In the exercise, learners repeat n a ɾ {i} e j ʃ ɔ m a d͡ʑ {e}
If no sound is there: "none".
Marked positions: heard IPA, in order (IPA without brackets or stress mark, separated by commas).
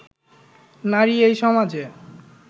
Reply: i, e